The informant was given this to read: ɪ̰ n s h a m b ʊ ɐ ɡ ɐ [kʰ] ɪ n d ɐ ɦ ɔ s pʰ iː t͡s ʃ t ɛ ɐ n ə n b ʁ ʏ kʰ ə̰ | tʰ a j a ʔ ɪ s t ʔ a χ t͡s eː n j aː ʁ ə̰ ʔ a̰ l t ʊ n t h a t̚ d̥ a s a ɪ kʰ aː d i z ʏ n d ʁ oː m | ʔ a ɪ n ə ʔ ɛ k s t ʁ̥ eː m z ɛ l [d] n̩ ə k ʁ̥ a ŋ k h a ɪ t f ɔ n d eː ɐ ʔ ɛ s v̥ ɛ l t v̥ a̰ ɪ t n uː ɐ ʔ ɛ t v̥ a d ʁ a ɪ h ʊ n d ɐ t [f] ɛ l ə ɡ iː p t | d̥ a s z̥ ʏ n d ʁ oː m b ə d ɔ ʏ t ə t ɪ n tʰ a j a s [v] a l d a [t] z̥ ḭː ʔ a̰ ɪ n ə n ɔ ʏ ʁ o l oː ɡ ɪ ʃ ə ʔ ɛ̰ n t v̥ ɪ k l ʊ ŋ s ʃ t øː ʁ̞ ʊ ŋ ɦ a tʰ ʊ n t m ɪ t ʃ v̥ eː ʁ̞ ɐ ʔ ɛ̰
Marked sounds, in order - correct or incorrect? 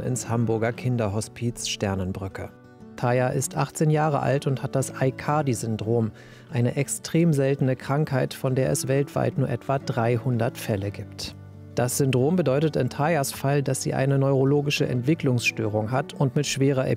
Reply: correct, incorrect: t, correct, incorrect: f, incorrect: s

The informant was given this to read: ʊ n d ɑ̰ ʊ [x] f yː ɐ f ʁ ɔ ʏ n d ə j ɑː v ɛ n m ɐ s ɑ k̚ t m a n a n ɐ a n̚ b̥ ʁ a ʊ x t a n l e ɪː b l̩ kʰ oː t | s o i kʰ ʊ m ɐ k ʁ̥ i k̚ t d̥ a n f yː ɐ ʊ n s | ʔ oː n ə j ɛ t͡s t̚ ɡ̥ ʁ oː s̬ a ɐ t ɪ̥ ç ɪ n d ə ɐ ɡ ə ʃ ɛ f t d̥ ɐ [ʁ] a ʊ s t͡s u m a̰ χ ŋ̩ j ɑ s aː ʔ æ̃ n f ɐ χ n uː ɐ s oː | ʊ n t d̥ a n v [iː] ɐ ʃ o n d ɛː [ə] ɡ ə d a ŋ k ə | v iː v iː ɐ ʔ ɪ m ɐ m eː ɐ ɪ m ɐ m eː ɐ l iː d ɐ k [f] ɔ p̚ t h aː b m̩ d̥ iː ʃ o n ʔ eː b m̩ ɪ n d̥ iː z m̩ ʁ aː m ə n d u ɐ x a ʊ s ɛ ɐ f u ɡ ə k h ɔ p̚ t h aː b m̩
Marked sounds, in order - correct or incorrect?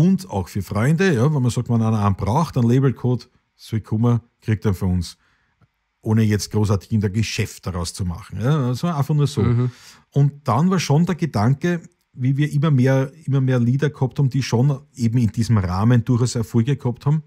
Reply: correct, correct, incorrect: aː, incorrect: ɐ, incorrect: h

